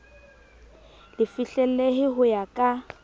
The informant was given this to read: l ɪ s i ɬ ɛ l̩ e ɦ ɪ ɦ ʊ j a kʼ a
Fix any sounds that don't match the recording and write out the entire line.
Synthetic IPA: l ɪ f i ɬ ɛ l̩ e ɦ ɪ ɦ ʊ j a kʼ a